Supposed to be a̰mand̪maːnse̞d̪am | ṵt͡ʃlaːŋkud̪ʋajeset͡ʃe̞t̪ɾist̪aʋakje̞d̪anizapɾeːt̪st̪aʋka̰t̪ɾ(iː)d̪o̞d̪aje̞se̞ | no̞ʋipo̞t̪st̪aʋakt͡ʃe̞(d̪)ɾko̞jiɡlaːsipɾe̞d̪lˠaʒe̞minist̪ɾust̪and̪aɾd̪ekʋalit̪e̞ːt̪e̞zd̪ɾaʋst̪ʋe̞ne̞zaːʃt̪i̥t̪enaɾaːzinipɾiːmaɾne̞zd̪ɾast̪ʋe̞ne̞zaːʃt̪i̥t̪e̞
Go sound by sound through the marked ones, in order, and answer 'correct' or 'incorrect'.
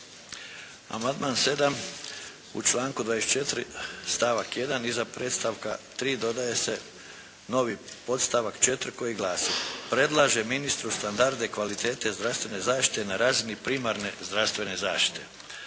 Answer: correct, incorrect: t̪

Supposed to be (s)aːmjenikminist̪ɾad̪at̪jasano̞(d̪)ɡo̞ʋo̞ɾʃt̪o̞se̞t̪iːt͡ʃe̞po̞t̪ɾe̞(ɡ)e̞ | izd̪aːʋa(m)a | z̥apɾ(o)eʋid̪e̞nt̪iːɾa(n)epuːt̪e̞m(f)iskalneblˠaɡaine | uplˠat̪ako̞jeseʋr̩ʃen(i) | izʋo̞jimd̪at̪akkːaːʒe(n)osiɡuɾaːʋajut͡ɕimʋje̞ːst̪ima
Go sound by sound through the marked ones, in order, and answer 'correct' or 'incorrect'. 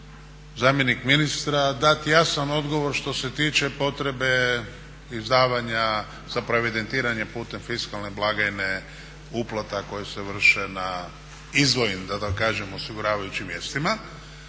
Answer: incorrect: z, correct, incorrect: b, incorrect: ɲ, correct, incorrect: ɲ, correct, incorrect: a, incorrect: m

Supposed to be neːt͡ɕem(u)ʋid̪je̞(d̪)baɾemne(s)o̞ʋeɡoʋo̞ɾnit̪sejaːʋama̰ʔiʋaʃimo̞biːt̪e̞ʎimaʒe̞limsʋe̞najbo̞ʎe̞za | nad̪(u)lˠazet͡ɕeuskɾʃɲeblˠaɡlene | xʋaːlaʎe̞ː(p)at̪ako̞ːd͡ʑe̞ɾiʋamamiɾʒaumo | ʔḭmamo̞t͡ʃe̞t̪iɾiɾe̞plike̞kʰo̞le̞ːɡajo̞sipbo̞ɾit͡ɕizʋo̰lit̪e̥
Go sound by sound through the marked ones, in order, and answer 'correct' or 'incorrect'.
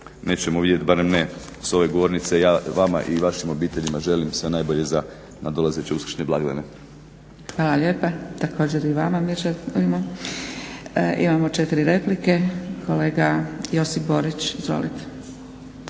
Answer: incorrect: o, incorrect: t̪, correct, incorrect: o, correct

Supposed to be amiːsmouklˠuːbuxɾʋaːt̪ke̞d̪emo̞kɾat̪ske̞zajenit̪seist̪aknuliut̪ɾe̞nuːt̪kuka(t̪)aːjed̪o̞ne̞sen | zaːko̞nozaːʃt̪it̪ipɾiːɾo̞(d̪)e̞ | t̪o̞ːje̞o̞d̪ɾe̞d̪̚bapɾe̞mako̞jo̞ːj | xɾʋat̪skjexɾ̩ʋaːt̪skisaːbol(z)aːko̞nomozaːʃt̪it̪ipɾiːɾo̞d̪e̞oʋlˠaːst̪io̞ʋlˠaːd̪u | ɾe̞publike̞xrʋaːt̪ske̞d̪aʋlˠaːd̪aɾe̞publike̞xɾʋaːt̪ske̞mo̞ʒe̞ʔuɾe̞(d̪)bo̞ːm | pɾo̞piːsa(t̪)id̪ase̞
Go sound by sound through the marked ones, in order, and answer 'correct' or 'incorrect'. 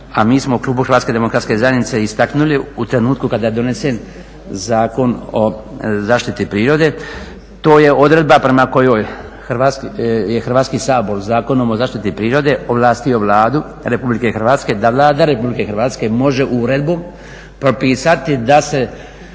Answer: incorrect: d̪, correct, correct, correct, correct

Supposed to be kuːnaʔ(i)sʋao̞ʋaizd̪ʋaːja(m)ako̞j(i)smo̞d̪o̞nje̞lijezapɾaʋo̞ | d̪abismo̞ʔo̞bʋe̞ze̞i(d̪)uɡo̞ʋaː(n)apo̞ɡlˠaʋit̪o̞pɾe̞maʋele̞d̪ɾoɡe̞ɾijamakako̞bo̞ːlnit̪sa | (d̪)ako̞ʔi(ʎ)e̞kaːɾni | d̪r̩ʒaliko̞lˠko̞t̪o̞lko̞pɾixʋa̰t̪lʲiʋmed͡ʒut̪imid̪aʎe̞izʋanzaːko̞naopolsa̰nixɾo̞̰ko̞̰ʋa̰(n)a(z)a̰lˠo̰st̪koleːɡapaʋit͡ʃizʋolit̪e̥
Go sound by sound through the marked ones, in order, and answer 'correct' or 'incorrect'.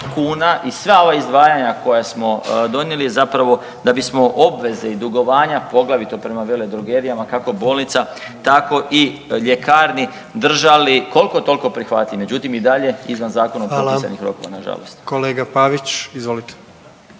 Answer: correct, incorrect: ɲ, incorrect: a, correct, incorrect: ɲ, incorrect: t̪, correct, correct, incorrect: ʒ

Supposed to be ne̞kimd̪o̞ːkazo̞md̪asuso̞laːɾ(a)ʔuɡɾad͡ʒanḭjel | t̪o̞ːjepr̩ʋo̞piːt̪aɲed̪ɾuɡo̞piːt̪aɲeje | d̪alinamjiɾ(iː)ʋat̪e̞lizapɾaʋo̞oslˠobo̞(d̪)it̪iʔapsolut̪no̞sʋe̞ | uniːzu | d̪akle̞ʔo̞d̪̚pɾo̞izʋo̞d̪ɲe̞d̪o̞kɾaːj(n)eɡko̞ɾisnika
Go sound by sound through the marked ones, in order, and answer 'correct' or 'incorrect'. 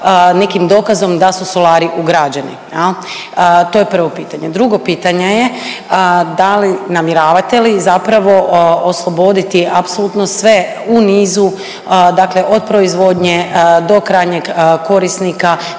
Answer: incorrect: i, incorrect: aː, correct, incorrect: ɲ

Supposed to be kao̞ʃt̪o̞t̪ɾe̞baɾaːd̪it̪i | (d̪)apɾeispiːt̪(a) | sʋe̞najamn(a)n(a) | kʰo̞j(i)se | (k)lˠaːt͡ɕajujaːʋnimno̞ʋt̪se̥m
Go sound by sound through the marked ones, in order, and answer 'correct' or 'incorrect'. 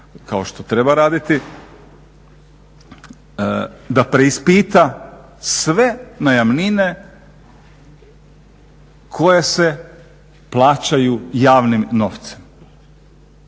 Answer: correct, correct, incorrect: i, incorrect: e, incorrect: e, incorrect: p

